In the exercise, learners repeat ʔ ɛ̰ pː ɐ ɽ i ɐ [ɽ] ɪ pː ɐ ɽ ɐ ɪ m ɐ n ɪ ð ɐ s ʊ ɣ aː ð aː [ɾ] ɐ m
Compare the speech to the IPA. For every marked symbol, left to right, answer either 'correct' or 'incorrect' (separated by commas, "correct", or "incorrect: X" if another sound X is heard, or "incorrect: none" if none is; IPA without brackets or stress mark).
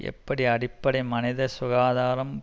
correct, correct